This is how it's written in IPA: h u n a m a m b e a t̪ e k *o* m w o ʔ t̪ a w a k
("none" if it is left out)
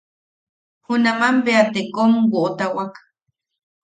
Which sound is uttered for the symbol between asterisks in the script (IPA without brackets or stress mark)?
o